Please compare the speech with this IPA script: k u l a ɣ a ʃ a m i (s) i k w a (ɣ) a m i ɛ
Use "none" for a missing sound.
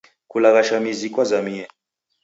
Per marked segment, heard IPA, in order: z, z

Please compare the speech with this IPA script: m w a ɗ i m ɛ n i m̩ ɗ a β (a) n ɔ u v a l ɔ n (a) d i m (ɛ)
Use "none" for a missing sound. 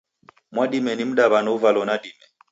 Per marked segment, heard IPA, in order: a, a, ɛ

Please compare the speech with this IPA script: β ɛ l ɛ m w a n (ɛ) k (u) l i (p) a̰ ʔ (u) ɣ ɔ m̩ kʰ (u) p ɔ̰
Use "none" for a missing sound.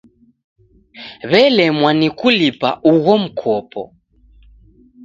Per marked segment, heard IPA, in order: i, u, p, u, ɔ

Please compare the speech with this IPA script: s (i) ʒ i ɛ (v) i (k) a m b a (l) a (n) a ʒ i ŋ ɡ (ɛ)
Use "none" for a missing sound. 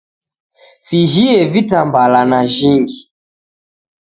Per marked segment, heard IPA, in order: i, v, t, l, n, i

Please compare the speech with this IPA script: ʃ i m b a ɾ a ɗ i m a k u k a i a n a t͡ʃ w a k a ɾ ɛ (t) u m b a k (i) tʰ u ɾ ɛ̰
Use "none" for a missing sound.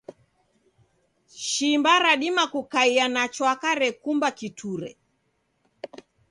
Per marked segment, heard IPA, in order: k, i

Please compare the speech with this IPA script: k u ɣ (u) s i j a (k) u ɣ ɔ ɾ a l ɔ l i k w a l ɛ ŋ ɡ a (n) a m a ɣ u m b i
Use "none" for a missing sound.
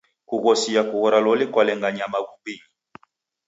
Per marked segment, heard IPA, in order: ɔ, k, ɲ

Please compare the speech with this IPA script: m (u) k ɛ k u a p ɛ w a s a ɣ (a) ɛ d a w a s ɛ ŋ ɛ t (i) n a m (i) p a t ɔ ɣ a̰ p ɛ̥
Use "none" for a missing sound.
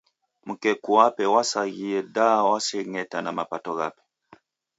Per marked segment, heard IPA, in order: u, i, a, a

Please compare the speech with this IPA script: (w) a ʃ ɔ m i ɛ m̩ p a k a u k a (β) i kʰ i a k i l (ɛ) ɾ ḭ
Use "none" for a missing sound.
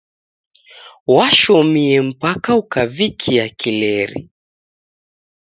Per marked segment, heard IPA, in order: w, v, ɛ

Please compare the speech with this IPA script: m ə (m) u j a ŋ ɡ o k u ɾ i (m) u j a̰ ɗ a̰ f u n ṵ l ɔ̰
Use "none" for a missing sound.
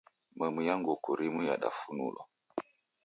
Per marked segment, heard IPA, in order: m, m

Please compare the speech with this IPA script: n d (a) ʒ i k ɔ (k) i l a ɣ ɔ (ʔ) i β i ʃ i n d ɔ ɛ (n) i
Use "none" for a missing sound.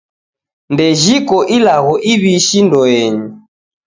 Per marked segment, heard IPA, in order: ɛ, ʔ, ʔ, ɲ

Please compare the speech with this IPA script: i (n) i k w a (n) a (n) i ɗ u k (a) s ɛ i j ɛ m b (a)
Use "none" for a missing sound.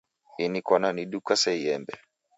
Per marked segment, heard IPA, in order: n, n, n, a, ɛ

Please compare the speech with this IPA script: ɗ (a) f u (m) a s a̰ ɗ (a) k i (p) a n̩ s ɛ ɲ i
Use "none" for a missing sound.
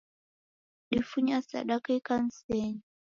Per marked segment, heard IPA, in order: i, ɲ, a, k

